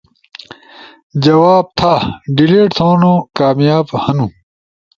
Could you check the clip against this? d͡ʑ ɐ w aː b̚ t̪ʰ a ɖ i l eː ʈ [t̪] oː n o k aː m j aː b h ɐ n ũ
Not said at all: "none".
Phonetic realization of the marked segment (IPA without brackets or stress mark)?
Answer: t̪ʰ